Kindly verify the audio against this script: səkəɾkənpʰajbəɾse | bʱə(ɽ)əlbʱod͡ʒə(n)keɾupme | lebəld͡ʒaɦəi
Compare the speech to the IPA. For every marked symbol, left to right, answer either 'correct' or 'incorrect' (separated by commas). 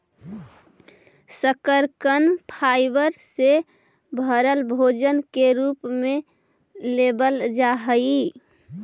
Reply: incorrect, correct